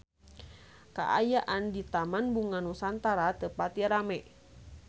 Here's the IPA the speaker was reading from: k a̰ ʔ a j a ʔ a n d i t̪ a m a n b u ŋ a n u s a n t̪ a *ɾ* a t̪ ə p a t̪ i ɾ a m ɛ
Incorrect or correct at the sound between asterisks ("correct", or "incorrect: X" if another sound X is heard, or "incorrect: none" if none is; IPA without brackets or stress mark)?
correct